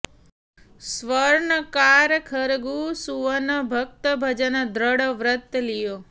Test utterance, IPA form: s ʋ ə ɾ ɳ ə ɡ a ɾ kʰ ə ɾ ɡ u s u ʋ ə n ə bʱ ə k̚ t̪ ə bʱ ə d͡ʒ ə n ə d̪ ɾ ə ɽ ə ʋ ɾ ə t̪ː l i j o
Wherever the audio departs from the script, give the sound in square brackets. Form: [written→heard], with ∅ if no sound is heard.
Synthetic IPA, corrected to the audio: s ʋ ə ɾ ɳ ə [ɡ→k] a ɾ kʰ ə ɾ ɡ u s u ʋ ə n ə bʱ ə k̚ t̪ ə bʱ ə d͡ʒ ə n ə d̪ ɾ ə ɽ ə ʋ ɾ ə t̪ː l i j o

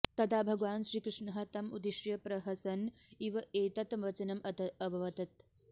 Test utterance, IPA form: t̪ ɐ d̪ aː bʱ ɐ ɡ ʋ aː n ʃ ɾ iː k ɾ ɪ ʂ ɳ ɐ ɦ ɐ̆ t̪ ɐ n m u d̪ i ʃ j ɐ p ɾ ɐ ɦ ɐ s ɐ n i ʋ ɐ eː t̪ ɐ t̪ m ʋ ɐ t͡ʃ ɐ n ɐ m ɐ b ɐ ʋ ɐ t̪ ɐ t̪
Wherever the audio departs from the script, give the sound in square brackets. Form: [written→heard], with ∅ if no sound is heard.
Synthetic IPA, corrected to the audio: t̪ ɐ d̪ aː bʱ ɐ ɡ ʋ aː n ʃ ɾ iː k ɾ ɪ ʂ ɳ ɐ ɦ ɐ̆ t̪ ɐ [n→∅] m u d̪ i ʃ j ɐ p ɾ ɐ ɦ ɐ s ɐ n i ʋ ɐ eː t̪ ɐ t̪ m ʋ ɐ t͡ʃ ɐ n ɐ m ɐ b ɐ ʋ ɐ t̪ ɐ t̪

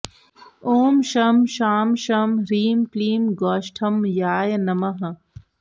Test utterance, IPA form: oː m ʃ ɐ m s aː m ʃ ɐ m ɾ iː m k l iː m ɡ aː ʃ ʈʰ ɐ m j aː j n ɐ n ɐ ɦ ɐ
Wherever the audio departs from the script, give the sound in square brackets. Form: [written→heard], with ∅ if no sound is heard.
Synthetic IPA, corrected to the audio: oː m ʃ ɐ m [s→ʃ] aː m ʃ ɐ m ɾ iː m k l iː m ɡ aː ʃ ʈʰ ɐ m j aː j n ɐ [n→m] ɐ ɦ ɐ

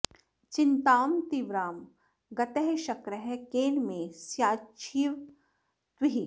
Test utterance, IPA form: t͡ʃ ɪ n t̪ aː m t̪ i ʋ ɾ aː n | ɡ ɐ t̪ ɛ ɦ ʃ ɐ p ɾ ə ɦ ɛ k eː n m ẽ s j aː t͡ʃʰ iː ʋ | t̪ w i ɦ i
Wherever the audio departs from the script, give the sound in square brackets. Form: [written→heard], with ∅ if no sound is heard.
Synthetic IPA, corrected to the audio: t͡ʃ ɪ n t̪ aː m t̪ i ʋ ɾ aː [n→m] | ɡ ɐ t̪ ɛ ɦ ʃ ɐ [p→k] ɾ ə ɦ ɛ k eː n m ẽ s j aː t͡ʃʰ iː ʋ | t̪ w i ɦ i

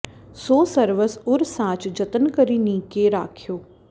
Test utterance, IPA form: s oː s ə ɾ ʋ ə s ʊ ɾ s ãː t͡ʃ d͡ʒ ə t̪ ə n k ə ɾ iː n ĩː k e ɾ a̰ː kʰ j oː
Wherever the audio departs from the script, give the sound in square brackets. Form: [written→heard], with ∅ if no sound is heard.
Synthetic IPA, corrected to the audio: s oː s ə ɾ ʋ ə s ʊ ɾ s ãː t͡ʃ d͡ʒ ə t̪ ə n k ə ɾ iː n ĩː k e ɾ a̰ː kʰ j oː

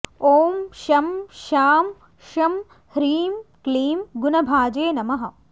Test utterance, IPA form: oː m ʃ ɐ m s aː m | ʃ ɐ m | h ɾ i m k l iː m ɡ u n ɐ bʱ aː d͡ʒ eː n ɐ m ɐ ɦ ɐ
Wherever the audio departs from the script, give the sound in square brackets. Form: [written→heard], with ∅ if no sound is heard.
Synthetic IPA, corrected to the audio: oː m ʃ ɐ m [s→ʃ] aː m | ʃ ɐ m | h ɾ [i→iː] m k l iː m ɡ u n ɐ bʱ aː d͡ʒ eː n ɐ m ɐ ɦ ɐ

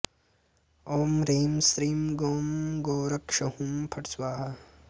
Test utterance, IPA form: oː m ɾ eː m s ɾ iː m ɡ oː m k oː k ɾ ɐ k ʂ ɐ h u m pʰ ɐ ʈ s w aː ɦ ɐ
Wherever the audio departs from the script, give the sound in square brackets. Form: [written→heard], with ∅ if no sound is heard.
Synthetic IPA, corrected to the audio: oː m ɾ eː m s ɾ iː m ɡ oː m [k→ɡ] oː [k→∅] ɾ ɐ k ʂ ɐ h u m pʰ ɐ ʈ s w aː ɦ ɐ

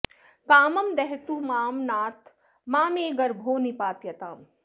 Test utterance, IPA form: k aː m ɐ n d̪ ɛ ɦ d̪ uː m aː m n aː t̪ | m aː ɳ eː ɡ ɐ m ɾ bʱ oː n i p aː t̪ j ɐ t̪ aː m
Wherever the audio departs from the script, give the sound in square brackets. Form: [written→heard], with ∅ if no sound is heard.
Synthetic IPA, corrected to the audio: k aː m ɐ [n→m] d̪ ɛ ɦ [d̪→t̪] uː m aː m n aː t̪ | m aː [ɳ→m] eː ɡ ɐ [m→∅] ɾ bʱ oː n i p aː t̪ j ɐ t̪ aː m

